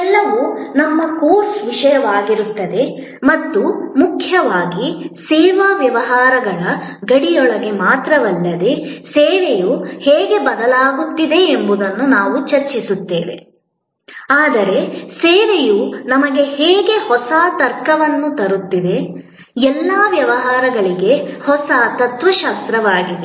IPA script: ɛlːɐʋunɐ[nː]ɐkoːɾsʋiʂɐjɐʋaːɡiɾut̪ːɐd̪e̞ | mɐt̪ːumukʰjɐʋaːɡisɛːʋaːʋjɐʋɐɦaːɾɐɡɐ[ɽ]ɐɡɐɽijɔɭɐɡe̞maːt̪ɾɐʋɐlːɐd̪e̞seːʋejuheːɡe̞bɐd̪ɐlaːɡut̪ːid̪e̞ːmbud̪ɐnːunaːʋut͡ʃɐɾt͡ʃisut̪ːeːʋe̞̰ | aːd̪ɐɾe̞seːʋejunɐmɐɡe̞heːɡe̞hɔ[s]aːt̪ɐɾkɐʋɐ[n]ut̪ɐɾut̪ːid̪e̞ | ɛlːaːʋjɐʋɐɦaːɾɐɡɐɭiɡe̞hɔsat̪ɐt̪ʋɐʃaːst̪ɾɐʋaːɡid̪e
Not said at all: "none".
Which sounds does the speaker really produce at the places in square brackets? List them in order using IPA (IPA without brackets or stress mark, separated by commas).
mː, ɭ, s, nː